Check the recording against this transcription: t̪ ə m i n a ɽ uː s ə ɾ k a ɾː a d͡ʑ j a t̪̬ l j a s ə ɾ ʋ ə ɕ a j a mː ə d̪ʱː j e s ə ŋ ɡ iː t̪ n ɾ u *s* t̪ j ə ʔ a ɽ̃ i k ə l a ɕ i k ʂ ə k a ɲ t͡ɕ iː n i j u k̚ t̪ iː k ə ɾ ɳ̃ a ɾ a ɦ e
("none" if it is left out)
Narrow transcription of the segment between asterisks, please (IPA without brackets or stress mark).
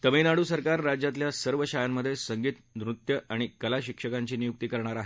none